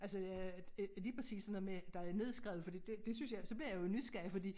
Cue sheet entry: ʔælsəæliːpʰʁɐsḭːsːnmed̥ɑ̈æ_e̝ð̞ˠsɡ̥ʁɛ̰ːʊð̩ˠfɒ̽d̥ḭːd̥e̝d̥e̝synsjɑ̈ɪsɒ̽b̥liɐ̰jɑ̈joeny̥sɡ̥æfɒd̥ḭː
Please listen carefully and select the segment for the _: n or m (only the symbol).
n